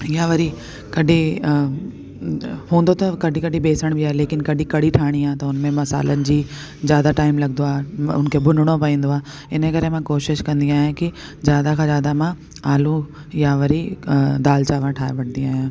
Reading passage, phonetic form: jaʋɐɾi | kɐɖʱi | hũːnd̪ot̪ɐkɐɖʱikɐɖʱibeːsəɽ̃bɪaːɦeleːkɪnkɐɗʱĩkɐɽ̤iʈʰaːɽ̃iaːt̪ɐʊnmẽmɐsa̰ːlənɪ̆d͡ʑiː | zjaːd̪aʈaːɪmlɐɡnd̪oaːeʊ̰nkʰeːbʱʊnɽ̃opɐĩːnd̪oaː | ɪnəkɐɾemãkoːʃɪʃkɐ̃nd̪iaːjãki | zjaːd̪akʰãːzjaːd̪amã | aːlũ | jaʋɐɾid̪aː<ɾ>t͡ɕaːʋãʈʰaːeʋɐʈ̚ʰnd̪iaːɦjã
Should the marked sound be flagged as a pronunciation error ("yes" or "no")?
yes